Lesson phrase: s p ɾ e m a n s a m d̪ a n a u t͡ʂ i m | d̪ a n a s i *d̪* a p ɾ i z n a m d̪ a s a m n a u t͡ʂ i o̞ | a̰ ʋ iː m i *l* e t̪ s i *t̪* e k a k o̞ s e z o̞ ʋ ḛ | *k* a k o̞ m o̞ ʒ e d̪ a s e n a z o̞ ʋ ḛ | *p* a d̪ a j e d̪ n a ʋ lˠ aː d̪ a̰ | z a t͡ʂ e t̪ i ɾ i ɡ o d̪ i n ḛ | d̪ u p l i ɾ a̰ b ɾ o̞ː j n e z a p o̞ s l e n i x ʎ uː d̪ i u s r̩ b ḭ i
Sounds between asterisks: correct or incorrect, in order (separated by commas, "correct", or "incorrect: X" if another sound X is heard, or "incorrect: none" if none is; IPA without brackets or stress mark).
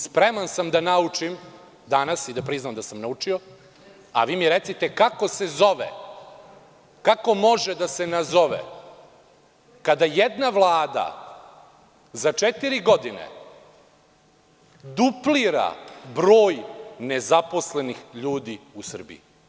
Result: correct, incorrect: ɾ, correct, correct, incorrect: k